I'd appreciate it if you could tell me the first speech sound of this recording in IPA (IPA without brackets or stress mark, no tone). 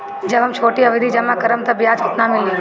d͡ʒ